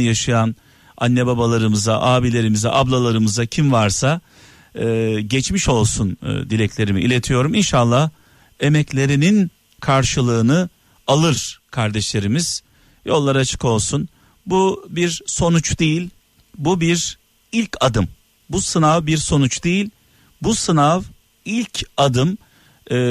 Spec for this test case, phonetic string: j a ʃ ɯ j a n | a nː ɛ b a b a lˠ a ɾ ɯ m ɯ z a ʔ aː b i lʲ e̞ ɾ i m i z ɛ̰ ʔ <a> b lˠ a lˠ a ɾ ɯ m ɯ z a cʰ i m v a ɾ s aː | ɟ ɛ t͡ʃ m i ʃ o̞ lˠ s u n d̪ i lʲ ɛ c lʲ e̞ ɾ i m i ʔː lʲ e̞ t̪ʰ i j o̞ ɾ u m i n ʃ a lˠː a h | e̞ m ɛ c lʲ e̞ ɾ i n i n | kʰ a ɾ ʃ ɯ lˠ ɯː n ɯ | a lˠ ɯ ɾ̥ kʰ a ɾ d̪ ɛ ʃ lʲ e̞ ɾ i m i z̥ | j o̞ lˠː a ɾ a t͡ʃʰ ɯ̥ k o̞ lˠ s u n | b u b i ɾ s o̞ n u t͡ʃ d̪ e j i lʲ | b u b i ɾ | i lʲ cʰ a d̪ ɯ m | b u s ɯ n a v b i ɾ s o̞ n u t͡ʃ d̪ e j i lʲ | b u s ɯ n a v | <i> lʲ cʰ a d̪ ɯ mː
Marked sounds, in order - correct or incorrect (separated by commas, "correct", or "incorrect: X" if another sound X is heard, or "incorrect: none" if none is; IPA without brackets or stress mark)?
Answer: correct, correct